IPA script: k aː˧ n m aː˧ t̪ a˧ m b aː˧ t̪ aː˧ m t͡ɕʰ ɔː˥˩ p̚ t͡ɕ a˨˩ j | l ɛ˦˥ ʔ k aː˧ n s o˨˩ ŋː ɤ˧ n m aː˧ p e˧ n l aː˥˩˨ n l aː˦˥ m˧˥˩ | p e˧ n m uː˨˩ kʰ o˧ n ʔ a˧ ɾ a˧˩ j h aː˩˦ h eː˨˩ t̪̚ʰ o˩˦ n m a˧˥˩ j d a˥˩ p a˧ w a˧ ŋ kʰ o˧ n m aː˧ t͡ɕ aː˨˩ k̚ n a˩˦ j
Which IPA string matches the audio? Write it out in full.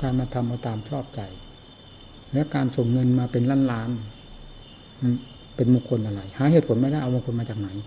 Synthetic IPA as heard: k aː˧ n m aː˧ t̪ʰ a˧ m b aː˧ t̪ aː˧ m t͡ɕʰ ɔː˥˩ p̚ t͡ɕ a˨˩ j | l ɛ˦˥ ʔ k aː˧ n s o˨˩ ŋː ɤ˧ n m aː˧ p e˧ n l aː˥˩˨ n l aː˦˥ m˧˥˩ | p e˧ n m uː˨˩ kʰ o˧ n ʔ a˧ ɾ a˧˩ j h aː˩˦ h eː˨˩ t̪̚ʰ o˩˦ n m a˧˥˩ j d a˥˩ ʔ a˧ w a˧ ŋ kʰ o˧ n m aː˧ t͡ɕ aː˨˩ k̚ n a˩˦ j